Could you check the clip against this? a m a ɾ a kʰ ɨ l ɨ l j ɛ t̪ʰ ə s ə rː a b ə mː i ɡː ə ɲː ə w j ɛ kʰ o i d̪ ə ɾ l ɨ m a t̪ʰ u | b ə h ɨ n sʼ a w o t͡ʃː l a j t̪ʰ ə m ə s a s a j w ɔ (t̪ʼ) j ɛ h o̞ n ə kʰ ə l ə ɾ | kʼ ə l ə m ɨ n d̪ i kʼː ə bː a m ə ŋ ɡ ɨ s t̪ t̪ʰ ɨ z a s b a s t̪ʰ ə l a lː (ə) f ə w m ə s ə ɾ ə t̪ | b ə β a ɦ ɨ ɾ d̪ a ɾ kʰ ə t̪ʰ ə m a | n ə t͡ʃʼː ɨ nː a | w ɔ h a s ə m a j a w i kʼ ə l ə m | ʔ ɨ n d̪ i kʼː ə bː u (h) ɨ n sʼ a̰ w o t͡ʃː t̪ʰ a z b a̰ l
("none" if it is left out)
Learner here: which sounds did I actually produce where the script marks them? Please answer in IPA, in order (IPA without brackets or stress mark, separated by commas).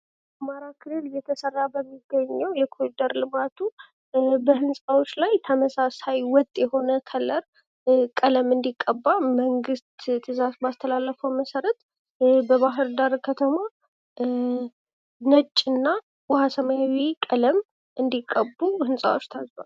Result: t̪ʼ, ə, h